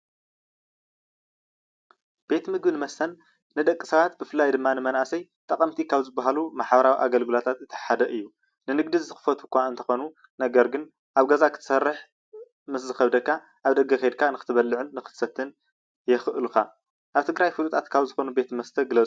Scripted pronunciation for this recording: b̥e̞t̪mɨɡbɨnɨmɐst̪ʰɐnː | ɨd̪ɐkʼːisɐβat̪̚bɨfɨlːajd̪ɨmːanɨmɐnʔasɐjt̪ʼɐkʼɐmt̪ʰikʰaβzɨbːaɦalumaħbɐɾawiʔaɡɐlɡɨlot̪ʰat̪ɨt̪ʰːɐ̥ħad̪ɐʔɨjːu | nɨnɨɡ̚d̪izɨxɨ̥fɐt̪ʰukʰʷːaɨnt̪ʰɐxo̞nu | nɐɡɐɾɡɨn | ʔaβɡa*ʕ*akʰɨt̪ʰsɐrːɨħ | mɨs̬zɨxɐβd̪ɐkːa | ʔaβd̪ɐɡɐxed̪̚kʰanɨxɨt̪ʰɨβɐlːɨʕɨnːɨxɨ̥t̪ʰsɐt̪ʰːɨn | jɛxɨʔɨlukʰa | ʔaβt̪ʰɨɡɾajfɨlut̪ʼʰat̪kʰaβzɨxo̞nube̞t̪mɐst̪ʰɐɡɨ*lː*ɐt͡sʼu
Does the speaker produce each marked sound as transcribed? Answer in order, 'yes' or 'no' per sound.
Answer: no, no

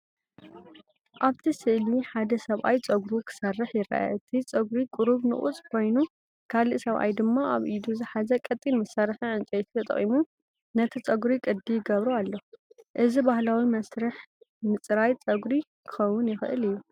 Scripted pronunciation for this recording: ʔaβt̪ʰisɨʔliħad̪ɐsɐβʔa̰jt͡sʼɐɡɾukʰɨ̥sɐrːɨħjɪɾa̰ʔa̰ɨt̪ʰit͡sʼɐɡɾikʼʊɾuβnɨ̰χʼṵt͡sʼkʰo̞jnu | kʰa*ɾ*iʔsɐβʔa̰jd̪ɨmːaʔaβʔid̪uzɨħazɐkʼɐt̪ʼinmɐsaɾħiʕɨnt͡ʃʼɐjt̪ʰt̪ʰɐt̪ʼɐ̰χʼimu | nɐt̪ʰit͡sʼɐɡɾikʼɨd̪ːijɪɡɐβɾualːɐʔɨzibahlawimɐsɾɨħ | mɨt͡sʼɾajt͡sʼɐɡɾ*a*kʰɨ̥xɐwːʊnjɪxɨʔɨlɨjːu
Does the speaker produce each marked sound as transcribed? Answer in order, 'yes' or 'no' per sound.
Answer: no, no

